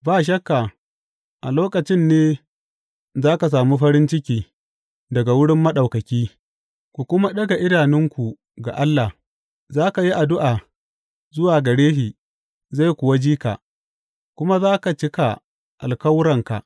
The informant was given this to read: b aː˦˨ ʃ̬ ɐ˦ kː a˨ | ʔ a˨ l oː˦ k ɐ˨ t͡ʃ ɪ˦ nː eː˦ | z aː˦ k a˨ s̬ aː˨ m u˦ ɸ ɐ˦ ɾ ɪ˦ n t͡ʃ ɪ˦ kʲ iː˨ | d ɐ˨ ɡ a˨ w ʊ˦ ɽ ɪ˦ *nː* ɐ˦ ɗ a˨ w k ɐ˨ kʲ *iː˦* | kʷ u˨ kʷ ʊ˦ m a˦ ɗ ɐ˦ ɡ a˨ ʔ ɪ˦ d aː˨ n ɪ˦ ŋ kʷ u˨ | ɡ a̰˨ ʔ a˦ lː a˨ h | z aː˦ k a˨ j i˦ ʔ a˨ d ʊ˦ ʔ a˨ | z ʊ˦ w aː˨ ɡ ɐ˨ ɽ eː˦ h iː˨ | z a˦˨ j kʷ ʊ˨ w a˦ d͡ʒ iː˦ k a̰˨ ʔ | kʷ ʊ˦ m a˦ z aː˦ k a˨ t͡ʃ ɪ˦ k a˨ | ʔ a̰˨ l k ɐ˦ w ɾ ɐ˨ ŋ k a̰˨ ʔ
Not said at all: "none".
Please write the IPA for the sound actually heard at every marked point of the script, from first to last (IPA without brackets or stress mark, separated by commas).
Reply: mː, iː˦